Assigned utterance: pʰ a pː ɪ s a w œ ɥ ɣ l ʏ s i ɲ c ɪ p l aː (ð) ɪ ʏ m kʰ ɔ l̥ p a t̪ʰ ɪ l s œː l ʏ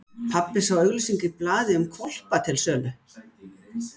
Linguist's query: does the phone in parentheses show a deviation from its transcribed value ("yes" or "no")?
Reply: no